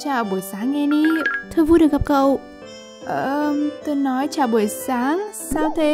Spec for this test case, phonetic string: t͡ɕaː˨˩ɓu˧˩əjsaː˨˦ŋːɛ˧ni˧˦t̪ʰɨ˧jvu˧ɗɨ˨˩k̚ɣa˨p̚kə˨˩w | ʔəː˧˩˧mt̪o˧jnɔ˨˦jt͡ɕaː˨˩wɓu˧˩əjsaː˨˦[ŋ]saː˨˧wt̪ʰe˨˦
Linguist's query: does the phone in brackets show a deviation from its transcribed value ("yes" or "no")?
no